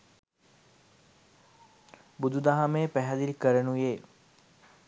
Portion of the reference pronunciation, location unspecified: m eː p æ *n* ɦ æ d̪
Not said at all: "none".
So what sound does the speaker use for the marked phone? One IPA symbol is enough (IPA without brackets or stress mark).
none